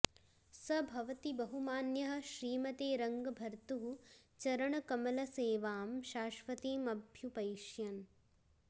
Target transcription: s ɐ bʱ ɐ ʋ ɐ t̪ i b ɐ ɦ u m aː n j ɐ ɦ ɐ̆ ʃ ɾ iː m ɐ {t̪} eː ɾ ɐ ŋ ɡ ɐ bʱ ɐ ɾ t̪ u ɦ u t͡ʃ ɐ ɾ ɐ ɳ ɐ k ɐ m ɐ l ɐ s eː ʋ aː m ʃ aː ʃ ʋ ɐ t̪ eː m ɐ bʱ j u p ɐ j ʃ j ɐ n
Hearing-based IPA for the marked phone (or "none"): t̪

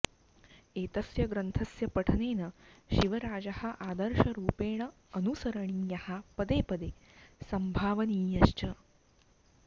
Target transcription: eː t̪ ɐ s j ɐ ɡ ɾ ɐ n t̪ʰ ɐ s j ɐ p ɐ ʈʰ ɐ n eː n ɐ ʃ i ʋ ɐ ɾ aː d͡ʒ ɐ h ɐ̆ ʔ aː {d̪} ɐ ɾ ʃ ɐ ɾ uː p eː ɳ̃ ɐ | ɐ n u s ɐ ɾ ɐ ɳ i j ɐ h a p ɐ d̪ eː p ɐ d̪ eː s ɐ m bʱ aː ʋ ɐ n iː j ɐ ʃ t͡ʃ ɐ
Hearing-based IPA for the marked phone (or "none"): d̪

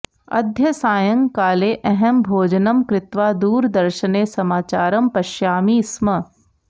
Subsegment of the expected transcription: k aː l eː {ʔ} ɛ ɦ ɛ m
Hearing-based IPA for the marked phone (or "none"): ʔ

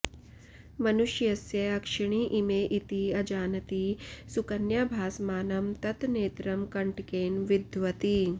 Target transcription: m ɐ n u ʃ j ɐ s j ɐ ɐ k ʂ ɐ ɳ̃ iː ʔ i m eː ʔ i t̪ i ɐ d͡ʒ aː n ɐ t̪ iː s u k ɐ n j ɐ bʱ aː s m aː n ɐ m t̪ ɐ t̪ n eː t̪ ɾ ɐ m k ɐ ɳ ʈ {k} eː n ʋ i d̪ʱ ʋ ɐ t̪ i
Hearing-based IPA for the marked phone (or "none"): k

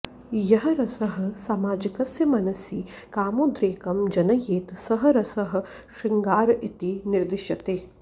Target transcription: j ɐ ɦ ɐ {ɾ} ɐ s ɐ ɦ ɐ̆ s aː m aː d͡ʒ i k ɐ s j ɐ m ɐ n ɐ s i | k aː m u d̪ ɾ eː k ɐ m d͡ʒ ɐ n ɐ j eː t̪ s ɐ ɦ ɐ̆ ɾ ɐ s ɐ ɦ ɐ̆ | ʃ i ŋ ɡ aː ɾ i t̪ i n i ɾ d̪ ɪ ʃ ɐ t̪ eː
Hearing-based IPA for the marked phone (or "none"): ɾ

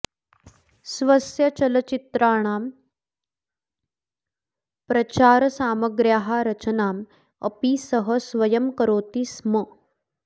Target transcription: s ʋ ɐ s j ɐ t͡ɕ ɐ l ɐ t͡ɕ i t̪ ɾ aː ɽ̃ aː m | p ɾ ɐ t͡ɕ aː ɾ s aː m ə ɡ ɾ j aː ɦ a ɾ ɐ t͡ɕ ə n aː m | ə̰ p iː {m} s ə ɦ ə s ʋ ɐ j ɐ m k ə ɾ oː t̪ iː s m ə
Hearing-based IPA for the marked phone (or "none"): none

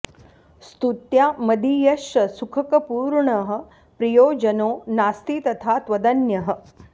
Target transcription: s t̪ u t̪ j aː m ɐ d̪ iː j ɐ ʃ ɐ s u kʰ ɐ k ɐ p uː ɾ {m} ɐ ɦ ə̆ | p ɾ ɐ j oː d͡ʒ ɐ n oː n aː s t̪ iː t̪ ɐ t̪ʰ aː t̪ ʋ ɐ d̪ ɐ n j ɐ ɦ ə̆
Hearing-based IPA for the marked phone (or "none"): ɳ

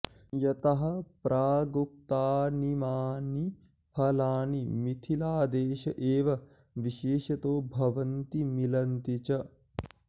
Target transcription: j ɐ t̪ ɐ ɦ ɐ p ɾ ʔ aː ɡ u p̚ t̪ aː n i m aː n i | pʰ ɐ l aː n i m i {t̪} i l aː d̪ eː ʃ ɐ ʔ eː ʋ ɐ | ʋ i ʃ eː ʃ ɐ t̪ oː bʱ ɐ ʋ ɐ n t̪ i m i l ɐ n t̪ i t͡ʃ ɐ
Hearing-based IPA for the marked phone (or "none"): t̪ʰ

